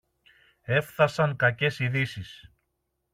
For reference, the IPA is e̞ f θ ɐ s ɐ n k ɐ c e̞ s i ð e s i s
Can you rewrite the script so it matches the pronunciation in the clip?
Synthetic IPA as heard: e̞ f θ ɐ s ɐ ŋ k ɐ c e̞ s i ð i s i s